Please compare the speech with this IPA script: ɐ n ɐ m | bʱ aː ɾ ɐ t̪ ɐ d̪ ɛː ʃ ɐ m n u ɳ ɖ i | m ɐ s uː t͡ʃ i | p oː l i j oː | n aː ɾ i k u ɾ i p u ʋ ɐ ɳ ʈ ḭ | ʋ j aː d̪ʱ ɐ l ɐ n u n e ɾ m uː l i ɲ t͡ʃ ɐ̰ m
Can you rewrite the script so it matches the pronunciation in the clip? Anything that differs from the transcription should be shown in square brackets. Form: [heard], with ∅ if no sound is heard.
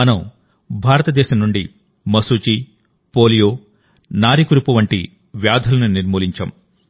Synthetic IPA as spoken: ɐ n ɐ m | bʱ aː ɾ ɐ t̪ ɐ d̪ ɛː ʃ ɐ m n u ɳ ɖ i | m ɐ s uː t͡ʃ i | p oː l i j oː | n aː ɾ i k u ɾ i p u ʋ ɐ ɳ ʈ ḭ | ʋ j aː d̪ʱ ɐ l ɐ n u n [i] ɾ m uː l i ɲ t͡ʃ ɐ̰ m